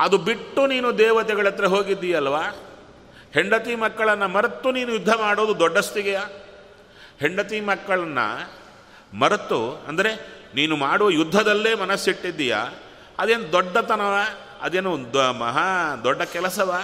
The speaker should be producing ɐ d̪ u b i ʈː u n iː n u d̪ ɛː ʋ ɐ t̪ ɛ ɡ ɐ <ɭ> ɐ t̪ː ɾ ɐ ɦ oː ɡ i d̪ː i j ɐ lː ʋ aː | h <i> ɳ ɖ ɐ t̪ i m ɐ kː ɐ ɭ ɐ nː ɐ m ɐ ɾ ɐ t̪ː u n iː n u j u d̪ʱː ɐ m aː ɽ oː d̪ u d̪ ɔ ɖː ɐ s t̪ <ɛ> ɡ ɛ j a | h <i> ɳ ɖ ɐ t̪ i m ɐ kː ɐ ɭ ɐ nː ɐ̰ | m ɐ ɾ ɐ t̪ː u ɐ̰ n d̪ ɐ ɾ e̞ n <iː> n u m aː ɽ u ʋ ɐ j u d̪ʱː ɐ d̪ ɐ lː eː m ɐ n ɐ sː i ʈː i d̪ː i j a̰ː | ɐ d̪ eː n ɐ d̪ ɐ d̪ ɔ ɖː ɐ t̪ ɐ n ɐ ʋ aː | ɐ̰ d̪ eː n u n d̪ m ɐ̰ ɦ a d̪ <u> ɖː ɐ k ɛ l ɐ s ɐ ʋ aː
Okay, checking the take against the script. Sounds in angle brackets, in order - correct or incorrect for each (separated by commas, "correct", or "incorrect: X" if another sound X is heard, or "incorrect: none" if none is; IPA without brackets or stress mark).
correct, incorrect: e, incorrect: i, incorrect: e, correct, incorrect: ɔ